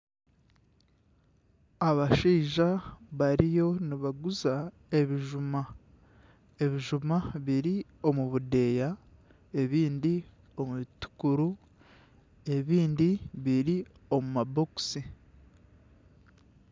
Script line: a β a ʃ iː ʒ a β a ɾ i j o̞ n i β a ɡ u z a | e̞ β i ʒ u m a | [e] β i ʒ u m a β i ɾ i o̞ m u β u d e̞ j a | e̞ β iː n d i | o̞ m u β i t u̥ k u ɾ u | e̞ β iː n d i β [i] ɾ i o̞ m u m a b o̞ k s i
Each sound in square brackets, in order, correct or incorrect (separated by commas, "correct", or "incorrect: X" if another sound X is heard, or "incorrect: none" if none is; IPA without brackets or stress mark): correct, correct